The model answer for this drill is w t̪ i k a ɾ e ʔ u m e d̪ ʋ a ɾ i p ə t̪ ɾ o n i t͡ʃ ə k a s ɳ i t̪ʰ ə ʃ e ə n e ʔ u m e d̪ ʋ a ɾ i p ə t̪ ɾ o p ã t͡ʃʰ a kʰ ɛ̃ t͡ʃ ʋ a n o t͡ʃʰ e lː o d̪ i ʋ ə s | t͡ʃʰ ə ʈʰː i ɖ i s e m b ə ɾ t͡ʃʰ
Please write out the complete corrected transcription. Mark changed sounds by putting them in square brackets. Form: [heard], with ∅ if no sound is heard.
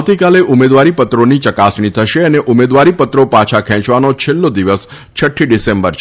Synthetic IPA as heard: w t̪ i k a [l] e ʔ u m e d̪ ʋ a ɾ i p ə t̪ ɾ o n i t͡ʃ ə k a s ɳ i t̪ʰ ə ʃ e ə n e ʔ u m e d̪ ʋ a ɾ i p ə t̪ ɾ o p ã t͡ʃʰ a kʰ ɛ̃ t͡ʃ ʋ a n o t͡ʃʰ e lː o d̪ i ʋ ə s | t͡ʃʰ ə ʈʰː i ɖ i s e m b ə ɾ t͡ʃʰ